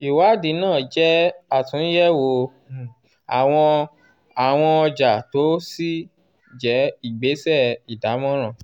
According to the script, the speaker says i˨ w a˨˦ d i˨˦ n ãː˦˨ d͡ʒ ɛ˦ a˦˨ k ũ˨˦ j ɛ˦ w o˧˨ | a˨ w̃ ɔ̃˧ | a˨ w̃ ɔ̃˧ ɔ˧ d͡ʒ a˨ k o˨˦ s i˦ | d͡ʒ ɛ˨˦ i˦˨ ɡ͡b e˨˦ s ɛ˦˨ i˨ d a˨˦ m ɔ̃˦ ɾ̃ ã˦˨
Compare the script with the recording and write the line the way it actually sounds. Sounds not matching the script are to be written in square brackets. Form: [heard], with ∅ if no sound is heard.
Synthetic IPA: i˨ w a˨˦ d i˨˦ n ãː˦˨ d͡ʒ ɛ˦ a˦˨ [t] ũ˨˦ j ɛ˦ w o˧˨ | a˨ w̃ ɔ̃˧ | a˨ w̃ ɔ̃˧ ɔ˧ d͡ʒ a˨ [t] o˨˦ s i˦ | d͡ʒ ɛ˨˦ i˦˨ ɡ͡b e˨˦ s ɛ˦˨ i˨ d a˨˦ m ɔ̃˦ ɾ̃ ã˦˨

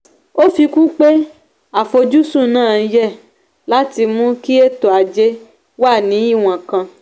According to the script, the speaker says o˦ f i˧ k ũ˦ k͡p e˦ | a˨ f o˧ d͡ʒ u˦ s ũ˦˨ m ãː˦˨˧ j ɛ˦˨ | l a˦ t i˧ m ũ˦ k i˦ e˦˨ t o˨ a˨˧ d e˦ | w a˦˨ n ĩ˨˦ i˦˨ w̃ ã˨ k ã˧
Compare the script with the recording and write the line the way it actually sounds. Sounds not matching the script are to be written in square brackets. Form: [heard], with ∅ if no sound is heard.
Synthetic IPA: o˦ f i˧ k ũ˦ k͡p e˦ | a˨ f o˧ d͡ʒ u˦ s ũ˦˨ [n] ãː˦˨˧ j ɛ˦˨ | l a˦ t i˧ m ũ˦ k i˦ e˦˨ t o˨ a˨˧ [d͡ʒ] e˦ | w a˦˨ n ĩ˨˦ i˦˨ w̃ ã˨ k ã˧

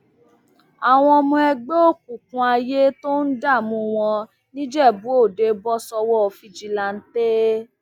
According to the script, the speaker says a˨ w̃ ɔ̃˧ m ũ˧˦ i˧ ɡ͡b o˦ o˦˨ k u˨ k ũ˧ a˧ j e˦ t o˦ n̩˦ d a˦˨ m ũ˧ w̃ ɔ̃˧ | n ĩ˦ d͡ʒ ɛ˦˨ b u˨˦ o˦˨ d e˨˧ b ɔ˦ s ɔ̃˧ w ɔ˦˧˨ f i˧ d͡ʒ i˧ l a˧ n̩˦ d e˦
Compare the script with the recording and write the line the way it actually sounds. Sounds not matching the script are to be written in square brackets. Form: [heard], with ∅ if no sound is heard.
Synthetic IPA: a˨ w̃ ɔ̃˧ m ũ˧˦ [ɛ˧] ɡ͡b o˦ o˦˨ k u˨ k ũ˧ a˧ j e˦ t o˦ n̩˦ d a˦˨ m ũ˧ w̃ ɔ̃˧ | n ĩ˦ d͡ʒ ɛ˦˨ b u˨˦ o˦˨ d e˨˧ b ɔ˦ s [ɔ˧] w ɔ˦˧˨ f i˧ d͡ʒ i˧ l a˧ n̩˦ [t] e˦

